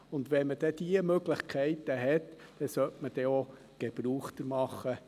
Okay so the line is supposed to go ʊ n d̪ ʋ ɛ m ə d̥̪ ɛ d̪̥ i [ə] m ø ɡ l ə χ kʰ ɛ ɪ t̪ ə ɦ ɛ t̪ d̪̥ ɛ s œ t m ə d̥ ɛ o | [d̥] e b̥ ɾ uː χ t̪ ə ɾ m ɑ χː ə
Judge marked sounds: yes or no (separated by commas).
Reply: yes, no